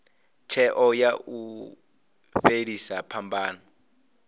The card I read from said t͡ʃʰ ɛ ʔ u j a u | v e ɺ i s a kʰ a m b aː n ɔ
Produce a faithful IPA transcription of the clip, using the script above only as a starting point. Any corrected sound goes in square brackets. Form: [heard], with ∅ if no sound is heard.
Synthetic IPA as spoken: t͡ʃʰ ɛ ʔ [ɔ] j a u | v e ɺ i s a [pʰ] a m b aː n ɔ